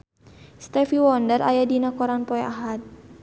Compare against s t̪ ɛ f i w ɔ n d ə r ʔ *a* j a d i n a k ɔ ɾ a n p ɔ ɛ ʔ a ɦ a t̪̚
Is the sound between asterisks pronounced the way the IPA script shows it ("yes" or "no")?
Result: yes